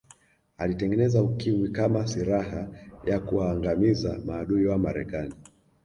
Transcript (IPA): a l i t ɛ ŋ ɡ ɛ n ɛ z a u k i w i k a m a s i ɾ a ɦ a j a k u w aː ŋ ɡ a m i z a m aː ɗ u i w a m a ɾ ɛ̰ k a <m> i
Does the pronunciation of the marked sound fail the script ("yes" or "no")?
yes